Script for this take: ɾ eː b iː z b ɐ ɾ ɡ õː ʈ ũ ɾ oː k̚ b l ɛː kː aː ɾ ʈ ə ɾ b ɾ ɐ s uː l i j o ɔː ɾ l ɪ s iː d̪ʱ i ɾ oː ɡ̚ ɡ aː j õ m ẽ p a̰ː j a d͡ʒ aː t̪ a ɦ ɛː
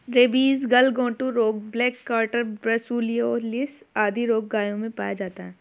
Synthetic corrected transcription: ɾ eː b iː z ɡ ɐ l ɡ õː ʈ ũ ɾ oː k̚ b l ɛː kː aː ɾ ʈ ə ɾ b ɾ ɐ s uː l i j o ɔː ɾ l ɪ s aː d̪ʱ i ɾ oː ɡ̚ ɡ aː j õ m ẽ p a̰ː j a d͡ʒ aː t̪ a ɦ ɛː